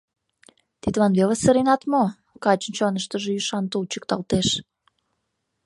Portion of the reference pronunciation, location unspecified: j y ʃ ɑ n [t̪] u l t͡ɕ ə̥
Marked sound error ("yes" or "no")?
no